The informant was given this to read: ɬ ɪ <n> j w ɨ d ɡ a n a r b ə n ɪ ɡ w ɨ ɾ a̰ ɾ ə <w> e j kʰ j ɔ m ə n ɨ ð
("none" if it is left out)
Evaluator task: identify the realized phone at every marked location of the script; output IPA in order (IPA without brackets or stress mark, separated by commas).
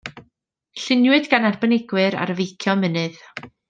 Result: n, v